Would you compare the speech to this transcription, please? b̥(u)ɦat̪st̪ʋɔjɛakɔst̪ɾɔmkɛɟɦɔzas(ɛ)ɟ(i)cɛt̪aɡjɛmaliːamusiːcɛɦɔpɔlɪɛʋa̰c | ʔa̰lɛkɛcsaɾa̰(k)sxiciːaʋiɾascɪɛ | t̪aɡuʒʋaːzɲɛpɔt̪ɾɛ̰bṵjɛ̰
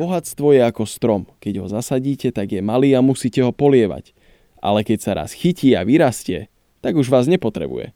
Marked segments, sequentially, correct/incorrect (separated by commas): incorrect, incorrect, incorrect, incorrect